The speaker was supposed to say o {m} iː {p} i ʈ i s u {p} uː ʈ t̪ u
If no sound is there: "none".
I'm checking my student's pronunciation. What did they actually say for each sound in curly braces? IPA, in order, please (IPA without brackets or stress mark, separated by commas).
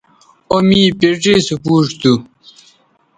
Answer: m, p, p